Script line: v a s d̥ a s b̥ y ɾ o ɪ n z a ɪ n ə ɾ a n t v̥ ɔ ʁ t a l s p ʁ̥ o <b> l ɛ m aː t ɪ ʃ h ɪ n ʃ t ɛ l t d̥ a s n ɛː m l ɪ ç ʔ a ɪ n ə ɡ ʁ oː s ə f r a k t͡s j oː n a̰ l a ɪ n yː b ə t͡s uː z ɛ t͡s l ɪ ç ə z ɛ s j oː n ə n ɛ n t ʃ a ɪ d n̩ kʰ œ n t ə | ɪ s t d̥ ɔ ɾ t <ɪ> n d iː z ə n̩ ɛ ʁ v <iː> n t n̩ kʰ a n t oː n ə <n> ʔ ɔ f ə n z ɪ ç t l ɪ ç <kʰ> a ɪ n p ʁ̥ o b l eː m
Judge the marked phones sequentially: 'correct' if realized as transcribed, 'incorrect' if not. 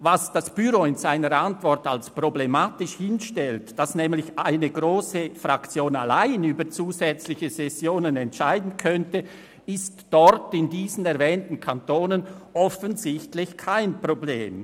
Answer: correct, correct, incorrect: ɛː, correct, correct

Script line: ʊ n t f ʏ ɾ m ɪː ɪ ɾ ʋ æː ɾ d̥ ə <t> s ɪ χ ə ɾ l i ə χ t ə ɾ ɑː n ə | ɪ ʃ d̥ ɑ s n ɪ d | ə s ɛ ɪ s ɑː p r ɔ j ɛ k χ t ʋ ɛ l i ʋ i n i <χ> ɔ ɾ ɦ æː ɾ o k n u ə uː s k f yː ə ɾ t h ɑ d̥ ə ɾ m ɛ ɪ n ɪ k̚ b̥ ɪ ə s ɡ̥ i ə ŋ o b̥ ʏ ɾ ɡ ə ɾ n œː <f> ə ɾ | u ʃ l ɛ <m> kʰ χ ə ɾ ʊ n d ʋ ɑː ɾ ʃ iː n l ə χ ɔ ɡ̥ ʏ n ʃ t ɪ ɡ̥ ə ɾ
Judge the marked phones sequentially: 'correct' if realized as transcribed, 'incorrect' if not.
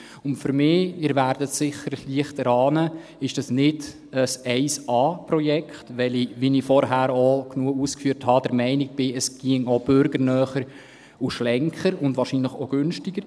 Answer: correct, incorrect: f, incorrect: χ, incorrect: ŋ

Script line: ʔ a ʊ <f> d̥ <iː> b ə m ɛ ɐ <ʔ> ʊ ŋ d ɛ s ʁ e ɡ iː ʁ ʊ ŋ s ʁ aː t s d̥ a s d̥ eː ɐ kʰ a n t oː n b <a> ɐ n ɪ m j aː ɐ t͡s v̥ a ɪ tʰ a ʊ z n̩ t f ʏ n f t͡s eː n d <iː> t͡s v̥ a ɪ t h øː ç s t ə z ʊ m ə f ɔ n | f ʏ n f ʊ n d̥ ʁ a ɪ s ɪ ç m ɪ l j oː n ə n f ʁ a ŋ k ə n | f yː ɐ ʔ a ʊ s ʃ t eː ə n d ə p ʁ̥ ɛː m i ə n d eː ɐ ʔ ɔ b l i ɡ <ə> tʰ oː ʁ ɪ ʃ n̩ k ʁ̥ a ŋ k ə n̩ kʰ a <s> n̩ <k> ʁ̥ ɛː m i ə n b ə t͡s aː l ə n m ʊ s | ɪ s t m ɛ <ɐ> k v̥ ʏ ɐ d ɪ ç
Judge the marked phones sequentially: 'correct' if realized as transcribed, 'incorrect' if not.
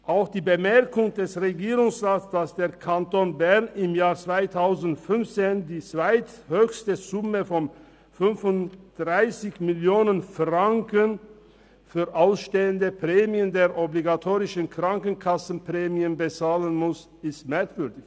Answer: incorrect: x, correct, incorrect: k, incorrect: ɛ, correct, incorrect: a, correct, incorrect: p, correct

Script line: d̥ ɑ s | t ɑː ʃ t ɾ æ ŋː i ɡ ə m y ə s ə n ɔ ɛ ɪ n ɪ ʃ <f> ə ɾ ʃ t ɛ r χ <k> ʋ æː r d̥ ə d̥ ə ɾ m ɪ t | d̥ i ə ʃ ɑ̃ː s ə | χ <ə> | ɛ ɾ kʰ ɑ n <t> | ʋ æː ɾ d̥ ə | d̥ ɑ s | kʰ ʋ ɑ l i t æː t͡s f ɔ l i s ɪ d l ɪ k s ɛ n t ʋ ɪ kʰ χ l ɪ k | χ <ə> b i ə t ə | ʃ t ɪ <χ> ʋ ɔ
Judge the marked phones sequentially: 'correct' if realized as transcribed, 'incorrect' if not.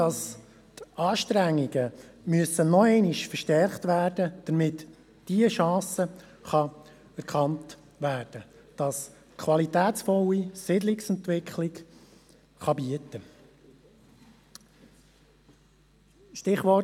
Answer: correct, incorrect: t, incorrect: ɑ, correct, incorrect: ɑ, correct

